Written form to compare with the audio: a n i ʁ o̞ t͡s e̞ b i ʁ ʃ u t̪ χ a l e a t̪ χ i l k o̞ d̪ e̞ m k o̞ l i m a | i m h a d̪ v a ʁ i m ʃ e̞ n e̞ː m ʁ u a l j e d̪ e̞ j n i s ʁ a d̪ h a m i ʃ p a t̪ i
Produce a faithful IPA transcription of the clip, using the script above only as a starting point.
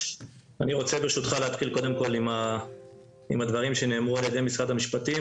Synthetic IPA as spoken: a n i ʁ o̞ t͡s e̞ b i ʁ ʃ u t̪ χ a l e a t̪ χ i l k o̞ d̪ e̞ m k o̞ l i m a | i m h a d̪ v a ʁ i m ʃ e̞ n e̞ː m ʁ u a l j e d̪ e̞ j m i s ʁ a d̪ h a m i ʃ p a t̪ i